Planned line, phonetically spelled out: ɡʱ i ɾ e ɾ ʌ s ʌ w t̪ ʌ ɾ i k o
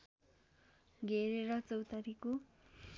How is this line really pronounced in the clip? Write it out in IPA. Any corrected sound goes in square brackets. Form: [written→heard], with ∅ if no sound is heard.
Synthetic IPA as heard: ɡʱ [i→e] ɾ e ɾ ʌ [s→t͡s] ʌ w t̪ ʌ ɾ i k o